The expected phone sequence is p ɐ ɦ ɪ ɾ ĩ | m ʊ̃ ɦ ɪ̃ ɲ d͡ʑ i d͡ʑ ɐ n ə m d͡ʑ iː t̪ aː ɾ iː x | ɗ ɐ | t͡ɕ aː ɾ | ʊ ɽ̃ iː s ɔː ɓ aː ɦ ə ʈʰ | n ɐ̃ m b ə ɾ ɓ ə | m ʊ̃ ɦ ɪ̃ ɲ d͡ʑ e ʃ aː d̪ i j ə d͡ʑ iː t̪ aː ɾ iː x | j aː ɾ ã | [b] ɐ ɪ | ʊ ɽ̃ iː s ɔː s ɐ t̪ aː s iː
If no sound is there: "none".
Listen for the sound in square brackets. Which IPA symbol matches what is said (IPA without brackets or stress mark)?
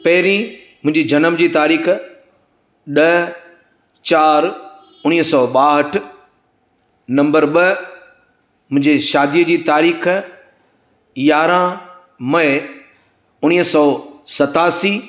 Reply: m